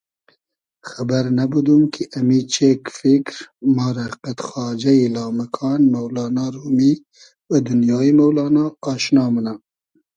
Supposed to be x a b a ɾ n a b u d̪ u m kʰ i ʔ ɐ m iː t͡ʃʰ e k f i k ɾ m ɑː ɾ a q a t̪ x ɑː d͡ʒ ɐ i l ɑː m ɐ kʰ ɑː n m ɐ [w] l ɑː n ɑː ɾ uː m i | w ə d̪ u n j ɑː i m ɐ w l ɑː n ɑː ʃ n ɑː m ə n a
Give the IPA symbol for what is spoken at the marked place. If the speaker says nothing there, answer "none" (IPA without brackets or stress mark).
w